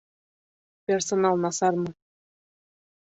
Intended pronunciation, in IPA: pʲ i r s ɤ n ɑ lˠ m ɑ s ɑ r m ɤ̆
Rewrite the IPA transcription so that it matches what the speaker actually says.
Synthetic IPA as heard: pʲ e r s o n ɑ lˠ n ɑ s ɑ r m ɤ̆

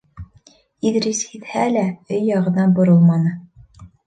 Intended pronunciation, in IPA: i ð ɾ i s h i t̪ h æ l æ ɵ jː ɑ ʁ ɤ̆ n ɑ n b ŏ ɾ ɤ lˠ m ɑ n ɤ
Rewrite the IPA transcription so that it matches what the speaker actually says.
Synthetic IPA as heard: i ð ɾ i s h i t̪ h æ l æ ɵ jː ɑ ʁ ɤ̆ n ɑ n b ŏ ɾ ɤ lˠ m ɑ n ɤ

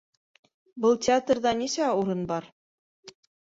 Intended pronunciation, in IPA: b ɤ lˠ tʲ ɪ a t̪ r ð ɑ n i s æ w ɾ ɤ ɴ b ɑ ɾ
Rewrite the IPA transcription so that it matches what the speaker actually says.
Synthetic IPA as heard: b ɤ lˠ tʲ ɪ a t̪ r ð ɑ n i s æ u ɾ ɤ n b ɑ ɾ

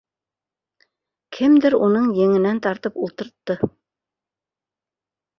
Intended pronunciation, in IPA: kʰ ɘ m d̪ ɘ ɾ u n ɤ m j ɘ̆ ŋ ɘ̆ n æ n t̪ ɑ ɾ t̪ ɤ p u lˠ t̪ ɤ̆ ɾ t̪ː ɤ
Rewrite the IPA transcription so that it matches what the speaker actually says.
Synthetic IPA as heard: kʰ ɘ m d̪ ɘ ɾ u n ɤ ɴ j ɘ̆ ŋ ɘ̆ n æ n t̪ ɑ ɾ t̪ ɤ p u lˠ t̪ ɤ̆ ɾ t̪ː ɤ

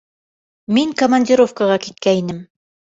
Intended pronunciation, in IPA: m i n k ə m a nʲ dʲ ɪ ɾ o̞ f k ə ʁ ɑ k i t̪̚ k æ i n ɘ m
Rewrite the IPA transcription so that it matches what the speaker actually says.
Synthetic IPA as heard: m i ŋ k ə m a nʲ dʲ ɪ ɾ o̞ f k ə ʁ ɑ k i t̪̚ k æ i n ɘ m

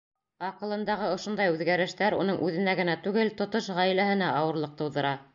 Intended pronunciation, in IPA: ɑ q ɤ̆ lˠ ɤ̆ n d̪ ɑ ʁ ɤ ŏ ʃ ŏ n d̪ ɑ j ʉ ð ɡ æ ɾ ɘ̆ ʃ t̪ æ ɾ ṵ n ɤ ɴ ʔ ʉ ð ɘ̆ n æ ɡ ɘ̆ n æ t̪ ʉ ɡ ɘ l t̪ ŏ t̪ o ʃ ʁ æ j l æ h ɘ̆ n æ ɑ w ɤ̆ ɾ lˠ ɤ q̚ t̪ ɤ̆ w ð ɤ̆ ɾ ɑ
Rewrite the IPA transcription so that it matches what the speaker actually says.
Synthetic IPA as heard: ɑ q ɤ̆ lˠ ɤ̆ n d̪ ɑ ʁ ɤ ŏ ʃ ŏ n d̪ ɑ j ʉ ð ɡ æ ɾ ɘ̆ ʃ t̪ æ ɾ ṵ n ɤ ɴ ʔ ʉ ð ɘ̆ n æ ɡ ɘ̆ n æ t̪ ʉ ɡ ɘ l t̪ ŏ t̪ o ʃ ʁ æ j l æ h ɘ̆ n æ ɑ w ɤ̆ ɾ lˠ ɤ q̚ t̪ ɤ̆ w ð ɤ̆ ɾ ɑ

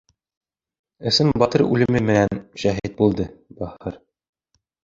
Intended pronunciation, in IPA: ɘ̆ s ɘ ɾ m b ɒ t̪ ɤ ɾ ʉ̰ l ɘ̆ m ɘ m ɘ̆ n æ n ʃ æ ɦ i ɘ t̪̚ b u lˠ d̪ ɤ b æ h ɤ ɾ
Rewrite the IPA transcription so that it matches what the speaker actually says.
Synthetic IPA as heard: ɘ̆ s ɘ m b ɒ t̪ ɤ ɾ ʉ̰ l ɘ̆ m ɘ m ɘ̆ n æ n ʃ æ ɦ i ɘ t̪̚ b u lˠ d̪ ɤ b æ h ɤ ɾ

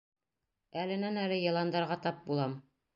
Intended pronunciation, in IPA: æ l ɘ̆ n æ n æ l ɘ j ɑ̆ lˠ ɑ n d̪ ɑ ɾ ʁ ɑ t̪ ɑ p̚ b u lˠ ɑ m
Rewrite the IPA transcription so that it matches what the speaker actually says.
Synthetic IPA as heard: æ l ɘ̆ n æ n æ l ɘ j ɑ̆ lˠ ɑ n d̪ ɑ ɾ ʁ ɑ t̪ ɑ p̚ b u lˠ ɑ m

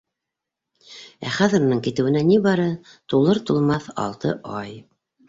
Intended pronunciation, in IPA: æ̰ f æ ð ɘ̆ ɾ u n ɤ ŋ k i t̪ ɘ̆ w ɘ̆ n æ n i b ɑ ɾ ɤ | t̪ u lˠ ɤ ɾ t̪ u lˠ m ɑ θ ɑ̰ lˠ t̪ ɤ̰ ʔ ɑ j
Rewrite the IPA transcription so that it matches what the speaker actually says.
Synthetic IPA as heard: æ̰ χ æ ð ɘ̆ ɾ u n ɤ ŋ k i t̪ ɘ̆ w ɘ̆ n æ n i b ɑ ɾ ɤ | t̪ u lˠ ɤ ɾ t̪ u lˠ m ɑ θ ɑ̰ lˠ t̪ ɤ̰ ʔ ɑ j

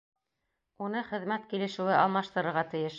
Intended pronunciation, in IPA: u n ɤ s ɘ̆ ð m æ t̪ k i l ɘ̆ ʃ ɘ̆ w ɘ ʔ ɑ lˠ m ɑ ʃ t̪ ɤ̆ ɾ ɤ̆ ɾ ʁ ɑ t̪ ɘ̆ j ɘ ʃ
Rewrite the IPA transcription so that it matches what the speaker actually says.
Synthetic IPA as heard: u n ɤ χ ɘ̆ ð m æ t̪ k i l ɘ̆ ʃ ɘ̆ w ɘ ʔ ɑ lˠ m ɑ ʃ t̪ ɤ̆ ɾ ɤ̆ ɾ ʁ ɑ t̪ ɘ̆ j ɘ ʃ

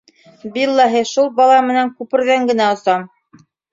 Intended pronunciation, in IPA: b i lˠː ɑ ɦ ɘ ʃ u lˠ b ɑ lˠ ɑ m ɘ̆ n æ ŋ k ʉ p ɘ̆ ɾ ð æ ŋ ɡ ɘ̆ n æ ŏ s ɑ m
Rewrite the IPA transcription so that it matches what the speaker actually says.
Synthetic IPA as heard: b i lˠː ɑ ɦ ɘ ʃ u lˠ b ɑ lˠ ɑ m ɘ̆ n æ ŋ k ʉ p ɘ̆ ɾ ð æ ŋ ɡ ɘ̆ n æ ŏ s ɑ m

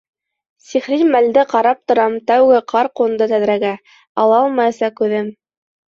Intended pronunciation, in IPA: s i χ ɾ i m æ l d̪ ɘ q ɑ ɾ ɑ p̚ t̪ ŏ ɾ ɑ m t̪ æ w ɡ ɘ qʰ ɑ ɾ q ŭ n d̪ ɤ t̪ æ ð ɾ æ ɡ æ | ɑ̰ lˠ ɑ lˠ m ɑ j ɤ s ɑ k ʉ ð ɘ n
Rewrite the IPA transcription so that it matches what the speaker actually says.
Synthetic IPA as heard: s i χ ɾ i m æ l d̪ ɘ q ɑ ɾ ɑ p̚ t̪ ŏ ɾ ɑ m t̪ æ w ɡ ɘ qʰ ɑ ɾ q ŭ n d̪ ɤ t̪ æ ð ɾ æ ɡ æ | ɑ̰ lˠ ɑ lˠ m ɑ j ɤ s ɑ k ʉ ð ɘ m

